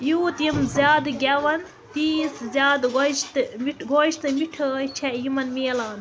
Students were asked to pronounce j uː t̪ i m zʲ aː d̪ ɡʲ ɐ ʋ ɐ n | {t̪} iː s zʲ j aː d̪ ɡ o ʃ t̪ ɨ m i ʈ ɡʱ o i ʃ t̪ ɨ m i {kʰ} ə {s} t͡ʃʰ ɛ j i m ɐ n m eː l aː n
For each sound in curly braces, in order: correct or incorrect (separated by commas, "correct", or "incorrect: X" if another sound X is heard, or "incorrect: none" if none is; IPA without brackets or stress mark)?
correct, incorrect: ʈʰ, incorrect: none